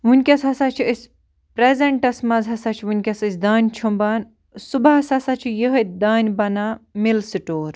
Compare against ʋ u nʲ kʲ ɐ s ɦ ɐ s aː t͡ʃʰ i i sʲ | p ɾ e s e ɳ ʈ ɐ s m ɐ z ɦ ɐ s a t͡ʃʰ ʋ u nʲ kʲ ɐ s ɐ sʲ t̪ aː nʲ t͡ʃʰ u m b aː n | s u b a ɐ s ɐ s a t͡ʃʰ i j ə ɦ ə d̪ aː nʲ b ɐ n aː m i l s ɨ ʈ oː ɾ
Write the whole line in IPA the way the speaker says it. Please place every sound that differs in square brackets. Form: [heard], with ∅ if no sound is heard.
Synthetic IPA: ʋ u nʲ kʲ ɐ s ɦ ɐ s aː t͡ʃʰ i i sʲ | p ɾ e [z] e ɳ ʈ ɐ s m ɐ z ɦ ɐ s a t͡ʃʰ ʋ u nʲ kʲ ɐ s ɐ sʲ [d̪] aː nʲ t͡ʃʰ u m b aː n | s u b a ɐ s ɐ s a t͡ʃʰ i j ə ɦ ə d̪ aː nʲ b ɐ n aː m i l s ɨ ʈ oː ɾ

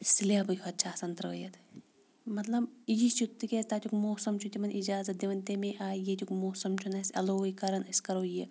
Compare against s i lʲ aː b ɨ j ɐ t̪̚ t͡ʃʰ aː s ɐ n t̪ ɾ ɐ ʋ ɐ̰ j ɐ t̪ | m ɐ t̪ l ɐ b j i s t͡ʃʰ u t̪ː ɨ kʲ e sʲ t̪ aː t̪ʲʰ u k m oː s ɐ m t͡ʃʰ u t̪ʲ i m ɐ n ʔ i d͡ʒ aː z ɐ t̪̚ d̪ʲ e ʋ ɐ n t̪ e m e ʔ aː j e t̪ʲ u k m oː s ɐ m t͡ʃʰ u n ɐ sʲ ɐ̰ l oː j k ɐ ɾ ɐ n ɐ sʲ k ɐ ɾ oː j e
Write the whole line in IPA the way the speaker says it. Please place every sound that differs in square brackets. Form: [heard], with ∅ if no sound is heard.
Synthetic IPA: s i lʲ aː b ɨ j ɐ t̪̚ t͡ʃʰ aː s ɐ n t̪ ɾ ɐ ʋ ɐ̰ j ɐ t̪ | m ɐ t̪ l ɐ b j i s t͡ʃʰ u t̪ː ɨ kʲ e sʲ t̪ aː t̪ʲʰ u k m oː s ɐ m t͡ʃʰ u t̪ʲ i m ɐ n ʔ i d͡ʒ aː z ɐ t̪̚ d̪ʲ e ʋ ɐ n t̪ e m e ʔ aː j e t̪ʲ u k m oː s ɐ m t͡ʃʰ u n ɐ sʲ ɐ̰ l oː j k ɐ ɾ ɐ n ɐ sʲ k ɐ ɾ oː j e

